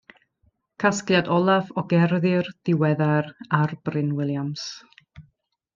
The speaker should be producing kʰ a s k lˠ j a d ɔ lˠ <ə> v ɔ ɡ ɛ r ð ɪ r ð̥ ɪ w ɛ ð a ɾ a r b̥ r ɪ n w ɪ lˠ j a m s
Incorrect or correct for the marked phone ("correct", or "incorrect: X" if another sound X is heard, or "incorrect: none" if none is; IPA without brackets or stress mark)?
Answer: incorrect: a